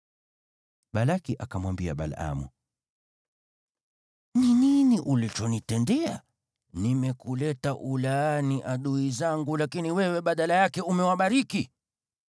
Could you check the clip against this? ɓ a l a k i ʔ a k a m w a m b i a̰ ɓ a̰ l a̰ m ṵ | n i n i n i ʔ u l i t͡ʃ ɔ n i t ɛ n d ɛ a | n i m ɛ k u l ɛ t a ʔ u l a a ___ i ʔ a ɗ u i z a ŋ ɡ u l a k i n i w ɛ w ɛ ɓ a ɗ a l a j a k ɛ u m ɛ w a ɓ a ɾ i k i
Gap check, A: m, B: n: B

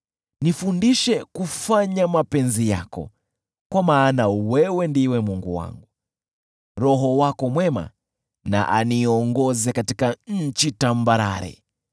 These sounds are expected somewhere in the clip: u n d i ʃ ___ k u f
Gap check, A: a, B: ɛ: B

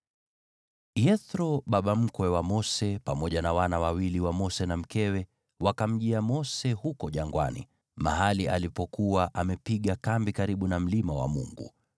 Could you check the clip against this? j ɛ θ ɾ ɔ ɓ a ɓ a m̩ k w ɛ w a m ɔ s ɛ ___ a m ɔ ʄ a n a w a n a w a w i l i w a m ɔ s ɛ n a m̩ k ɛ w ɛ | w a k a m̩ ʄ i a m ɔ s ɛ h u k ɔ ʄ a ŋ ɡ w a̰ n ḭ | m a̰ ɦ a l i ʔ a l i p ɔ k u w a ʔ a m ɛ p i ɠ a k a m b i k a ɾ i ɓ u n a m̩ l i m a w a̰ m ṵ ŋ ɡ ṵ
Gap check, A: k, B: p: B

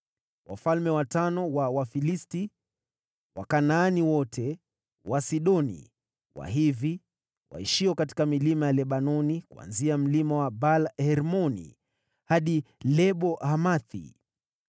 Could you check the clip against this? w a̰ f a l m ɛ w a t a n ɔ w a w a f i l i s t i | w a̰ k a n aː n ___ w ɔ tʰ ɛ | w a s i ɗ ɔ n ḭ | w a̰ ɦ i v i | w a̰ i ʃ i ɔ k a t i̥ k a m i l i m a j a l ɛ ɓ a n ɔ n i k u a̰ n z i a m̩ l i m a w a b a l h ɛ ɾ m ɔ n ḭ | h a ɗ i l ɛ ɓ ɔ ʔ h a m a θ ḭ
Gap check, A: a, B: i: B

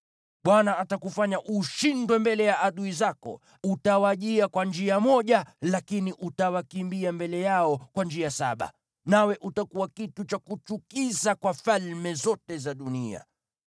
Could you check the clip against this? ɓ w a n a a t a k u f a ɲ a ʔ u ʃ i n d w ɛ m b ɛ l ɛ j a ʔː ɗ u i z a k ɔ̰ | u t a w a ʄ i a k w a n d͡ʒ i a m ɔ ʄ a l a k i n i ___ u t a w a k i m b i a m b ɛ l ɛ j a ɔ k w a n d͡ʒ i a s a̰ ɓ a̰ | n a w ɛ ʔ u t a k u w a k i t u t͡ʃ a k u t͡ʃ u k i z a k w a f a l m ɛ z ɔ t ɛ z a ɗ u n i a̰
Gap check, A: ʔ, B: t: A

